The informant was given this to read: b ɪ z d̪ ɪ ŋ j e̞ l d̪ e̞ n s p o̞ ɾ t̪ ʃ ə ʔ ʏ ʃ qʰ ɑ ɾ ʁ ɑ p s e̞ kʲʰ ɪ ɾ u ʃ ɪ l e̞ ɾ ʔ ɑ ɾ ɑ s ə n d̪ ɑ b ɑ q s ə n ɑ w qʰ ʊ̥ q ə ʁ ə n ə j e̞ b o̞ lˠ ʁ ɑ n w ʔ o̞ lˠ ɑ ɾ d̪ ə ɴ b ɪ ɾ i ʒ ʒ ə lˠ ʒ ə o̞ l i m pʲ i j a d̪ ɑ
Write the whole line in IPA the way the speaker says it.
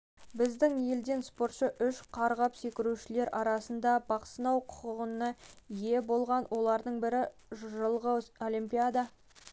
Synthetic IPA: b ɪ z d̪ ɪ ŋ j e̞ l d̪ e̞ n s p o̞ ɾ t̪ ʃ ə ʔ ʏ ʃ qʰ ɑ ɾ ʁ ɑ p s e̞ kʲ ɪ ɾ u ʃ ɪ l e̞ ɾ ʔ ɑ ɾ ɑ s ə n d̪ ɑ b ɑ q s ə n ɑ w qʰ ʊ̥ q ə ʁ ə n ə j e̞ b o̞ lˠ ʁ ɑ n w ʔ o̞ lˠ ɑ ɾ d̪ ə ɴ b ɪ ɾ ɪ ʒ ʒ ə lˠ ʁ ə o̞ l i m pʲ i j a d̪ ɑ